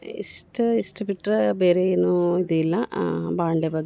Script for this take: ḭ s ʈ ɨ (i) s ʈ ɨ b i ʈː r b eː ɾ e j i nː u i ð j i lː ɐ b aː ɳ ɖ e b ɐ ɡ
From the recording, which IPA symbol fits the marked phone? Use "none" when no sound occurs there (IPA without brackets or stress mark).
i